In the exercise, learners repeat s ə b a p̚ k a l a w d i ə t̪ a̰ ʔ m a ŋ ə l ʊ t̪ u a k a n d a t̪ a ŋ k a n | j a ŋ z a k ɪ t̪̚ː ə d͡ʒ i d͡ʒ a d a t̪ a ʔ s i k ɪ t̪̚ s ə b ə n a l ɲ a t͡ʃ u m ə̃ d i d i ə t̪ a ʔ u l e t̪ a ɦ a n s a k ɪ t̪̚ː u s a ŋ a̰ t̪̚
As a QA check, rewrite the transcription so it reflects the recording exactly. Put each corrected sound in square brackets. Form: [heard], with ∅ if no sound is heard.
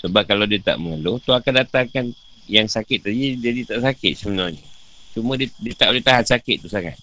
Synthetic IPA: s ə b a p̚ k a l a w d i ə t̪ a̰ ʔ m [ə] ŋ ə l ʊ t̪ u a k a n d a t̪ a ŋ k a n | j a ŋ [s] a k ɪ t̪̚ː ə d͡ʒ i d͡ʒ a d [i] t̪ a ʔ s [a] k ɪ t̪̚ s ə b ə n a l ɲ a t͡ʃ u m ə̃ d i d i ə t̪ a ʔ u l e t̪ a ɦ a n s a k ɪ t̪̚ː u s a ŋ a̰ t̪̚